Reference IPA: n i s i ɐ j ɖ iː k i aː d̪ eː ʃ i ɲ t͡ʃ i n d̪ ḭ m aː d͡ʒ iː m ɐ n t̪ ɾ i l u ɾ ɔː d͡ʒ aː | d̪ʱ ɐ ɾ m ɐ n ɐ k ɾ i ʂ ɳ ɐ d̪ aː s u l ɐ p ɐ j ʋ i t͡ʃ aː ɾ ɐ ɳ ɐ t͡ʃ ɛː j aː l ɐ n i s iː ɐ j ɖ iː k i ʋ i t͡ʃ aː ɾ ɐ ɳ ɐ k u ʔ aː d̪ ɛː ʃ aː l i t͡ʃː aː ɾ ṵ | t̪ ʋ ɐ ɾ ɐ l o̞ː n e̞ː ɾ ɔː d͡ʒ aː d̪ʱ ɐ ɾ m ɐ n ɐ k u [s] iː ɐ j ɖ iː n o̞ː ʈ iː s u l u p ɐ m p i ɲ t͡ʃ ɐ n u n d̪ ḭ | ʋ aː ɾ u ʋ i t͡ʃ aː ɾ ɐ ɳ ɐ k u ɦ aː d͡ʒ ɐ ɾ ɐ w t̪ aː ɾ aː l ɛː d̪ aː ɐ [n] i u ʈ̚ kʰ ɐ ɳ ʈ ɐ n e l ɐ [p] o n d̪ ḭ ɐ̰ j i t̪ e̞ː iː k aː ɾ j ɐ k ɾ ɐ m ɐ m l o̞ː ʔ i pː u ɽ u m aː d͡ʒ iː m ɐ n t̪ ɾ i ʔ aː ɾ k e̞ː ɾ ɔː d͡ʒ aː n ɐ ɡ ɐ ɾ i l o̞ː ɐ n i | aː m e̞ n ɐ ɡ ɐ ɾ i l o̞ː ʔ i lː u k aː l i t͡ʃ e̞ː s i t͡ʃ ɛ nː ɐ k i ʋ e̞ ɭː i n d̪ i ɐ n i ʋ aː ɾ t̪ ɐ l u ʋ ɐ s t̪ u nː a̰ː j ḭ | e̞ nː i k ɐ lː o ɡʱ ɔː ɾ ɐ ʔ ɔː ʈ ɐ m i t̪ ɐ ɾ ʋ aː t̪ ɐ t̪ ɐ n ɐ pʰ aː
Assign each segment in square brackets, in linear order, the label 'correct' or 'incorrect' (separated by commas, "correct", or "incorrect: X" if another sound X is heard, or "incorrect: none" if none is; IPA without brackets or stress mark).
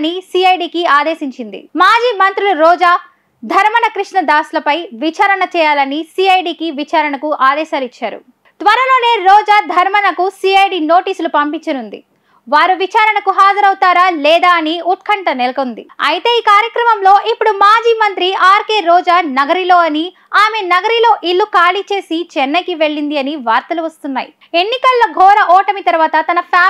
correct, correct, incorrect: k